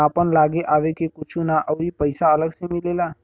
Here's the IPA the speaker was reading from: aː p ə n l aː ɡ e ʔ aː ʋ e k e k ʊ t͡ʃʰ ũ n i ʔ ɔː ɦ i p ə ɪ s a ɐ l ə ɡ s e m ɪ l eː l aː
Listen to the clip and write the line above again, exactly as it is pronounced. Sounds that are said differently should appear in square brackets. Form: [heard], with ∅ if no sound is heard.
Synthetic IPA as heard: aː p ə n l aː ɡ e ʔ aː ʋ e k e k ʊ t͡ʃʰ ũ n [a] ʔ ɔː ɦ i p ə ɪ s a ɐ l ə ɡ s e m ɪ l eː l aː